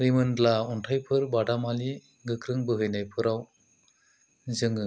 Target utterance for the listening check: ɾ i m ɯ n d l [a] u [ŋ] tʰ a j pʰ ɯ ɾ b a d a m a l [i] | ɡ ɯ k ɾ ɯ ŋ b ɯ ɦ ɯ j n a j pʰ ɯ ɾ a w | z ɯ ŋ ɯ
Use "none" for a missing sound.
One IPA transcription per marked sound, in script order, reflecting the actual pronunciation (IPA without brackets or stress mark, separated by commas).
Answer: a, n, i